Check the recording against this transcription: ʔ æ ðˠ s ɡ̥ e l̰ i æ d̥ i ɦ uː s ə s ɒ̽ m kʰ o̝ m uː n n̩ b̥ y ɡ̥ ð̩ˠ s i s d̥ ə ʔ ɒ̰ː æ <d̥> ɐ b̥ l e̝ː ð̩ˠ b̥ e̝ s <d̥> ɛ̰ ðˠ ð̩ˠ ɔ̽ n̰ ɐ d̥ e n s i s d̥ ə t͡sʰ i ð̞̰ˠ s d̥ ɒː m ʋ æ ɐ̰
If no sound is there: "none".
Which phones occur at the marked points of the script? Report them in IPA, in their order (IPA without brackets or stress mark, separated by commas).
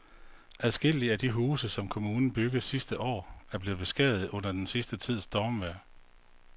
none, ɡ̥